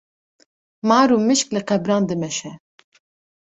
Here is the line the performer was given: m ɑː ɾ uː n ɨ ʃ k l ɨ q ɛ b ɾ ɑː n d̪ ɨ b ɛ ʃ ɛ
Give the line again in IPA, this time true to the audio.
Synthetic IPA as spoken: m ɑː ɾ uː m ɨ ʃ k l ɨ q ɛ b ɾ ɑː n d̪ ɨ m ɛ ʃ ɛ